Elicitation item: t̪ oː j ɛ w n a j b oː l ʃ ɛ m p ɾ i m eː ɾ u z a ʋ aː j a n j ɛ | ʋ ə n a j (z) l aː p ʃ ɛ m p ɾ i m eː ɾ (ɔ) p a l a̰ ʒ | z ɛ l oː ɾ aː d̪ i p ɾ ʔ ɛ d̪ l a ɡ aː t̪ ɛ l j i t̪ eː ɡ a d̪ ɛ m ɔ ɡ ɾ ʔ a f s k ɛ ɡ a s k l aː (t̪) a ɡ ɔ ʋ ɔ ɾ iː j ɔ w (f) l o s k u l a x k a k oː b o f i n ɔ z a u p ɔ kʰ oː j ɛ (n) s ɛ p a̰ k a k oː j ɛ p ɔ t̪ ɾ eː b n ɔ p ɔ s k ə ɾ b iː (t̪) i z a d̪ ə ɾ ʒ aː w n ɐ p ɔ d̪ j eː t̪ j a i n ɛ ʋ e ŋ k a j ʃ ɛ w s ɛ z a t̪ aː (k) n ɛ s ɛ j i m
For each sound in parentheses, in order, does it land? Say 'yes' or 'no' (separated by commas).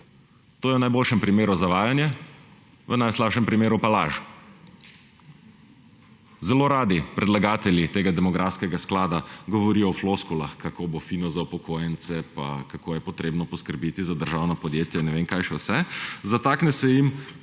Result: no, no, no, yes, yes, yes, yes